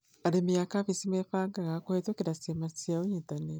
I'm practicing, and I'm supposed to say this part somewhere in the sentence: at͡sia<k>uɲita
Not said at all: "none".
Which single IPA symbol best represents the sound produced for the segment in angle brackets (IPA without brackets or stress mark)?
none